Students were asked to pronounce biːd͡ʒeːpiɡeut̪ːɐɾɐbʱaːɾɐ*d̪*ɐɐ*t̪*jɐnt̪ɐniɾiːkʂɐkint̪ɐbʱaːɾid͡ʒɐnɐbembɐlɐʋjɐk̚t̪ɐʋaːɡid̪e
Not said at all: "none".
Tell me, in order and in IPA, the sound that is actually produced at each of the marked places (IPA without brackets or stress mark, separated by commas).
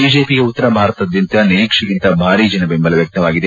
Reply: t̪, d̪